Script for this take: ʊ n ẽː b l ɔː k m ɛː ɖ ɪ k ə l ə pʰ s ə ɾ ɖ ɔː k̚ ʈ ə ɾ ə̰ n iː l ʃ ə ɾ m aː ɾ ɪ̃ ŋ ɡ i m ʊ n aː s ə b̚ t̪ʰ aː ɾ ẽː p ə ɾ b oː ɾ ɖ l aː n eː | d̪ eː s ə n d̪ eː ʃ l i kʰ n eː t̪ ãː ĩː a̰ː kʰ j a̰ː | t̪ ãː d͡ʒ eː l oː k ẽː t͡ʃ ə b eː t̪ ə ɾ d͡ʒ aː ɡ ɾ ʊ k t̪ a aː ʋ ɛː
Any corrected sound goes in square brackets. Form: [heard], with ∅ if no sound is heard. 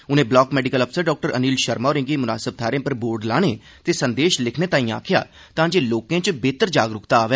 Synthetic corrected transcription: ʊ n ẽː b l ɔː k m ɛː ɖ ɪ k ə l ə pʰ s ə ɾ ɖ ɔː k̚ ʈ ə ɾ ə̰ n iː l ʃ ə ɾ m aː ɾ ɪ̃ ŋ ɡ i m ʊ n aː s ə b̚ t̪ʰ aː ɾ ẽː p ə ɾ b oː ɾ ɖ l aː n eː | [t̪] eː s ə n d̪ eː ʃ l [ɪ] kʰ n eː t̪ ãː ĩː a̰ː kʰ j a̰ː | t̪ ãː d͡ʒ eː l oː k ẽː t͡ʃ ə b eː t̪ ə ɾ d͡ʒ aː ɡ ɾ ʊ k t̪ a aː ʋ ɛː

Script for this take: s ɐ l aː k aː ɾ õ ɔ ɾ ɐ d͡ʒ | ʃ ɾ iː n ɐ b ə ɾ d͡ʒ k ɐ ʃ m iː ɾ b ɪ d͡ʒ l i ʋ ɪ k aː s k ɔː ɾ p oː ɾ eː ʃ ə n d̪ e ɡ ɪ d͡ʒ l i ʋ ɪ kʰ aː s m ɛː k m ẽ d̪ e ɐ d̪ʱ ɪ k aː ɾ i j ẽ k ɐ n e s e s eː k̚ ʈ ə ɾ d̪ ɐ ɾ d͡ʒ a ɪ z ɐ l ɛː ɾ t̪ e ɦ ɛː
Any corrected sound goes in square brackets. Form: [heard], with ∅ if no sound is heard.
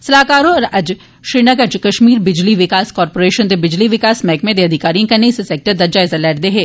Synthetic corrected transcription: s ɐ l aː k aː ɾ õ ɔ ɾ ɐ d͡ʒ | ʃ ɾ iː n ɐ [ɡ] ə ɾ d͡ʒ k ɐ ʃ m iː ɾ b ɪ d͡ʒ l i ʋ ɪ k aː s k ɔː ɾ p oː ɾ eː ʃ ə n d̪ e [b] ɪ d͡ʒ l i ʋ ɪ [k] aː s m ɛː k m ẽ d̪ e ɐ d̪ʱ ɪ k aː ɾ i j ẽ k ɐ n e s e s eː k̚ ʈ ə ɾ d̪ ɐ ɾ d͡ʒ a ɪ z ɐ l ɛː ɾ [d̪] e ɦ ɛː

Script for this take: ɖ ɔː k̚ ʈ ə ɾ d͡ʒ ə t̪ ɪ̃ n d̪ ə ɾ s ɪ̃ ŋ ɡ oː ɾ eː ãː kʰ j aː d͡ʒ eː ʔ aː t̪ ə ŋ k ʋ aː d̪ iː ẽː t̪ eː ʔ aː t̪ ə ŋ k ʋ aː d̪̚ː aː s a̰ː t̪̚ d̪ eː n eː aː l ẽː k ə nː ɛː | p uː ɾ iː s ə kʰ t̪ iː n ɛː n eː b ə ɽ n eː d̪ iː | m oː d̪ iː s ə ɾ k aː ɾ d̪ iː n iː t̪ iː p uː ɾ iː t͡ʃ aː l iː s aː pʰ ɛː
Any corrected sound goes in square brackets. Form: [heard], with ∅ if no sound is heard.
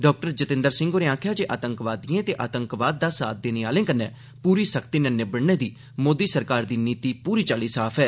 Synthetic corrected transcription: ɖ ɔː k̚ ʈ ə ɾ d͡ʒ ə t̪ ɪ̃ n d̪ ə ɾ s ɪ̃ ŋ ɡ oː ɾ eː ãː kʰ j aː d͡ʒ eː ʔ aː t̪ ə ŋ k ʋ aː d̪ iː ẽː t̪ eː ʔ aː t̪ ə ŋ k ʋ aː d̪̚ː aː s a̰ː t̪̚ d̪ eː n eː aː l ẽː k ə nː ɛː | p uː ɾ iː s ə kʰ t̪ iː n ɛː n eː b ə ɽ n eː d̪ iː | m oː d̪ iː s ə ɾ k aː ɾ d̪ iː n iː t̪ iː p uː ɾ iː t͡ʃ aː l iː s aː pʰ ɛː

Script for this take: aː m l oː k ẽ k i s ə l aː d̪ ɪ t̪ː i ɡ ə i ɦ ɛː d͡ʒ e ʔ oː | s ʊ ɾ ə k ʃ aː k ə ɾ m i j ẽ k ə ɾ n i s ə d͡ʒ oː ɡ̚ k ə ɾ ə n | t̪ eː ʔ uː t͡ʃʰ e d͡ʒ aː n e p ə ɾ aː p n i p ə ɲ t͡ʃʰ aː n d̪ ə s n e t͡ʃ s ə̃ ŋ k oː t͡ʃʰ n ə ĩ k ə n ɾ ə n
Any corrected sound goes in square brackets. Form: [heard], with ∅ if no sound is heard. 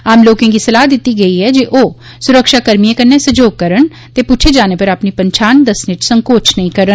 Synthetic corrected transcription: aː m l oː k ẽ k i s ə l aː d̪ ɪ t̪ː i ɡ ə i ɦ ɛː d͡ʒ e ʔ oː | s ʊ ɾ ə k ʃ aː k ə ɾ m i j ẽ k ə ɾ n [e] s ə d͡ʒ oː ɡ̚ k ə ɾ ə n | t̪ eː [p] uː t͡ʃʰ e d͡ʒ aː n e p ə ɾ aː p n i p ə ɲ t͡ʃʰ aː n d̪ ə s n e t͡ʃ s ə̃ ŋ k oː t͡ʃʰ n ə ĩ k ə [∅] ɾ ə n

